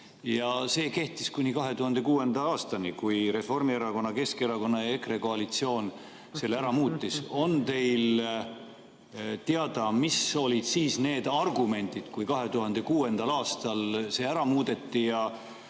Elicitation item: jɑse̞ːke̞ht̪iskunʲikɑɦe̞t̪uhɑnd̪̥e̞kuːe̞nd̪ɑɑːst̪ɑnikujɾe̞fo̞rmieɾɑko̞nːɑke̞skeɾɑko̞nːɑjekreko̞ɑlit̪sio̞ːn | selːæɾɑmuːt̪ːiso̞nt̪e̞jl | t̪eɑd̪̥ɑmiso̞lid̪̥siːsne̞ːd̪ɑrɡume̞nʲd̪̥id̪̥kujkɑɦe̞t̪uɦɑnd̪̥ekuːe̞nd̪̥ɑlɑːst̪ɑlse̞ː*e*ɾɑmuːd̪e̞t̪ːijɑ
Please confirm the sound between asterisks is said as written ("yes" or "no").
no